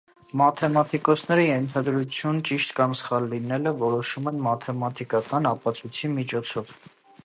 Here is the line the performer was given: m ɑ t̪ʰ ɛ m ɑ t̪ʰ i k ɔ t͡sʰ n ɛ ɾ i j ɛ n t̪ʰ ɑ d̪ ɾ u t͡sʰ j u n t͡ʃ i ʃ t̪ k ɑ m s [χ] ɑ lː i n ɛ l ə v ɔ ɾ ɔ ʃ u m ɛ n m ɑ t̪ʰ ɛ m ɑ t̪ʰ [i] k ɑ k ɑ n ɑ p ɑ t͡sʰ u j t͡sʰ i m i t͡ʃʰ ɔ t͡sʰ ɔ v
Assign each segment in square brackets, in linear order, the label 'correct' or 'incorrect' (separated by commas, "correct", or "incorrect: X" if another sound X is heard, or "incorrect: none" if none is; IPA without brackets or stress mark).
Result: correct, correct